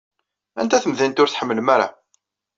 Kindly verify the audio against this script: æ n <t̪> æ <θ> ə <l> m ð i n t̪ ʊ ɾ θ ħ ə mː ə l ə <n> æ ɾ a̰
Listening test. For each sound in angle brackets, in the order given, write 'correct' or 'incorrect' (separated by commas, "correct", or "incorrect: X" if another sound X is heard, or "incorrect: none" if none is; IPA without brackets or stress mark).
correct, correct, incorrect: none, incorrect: m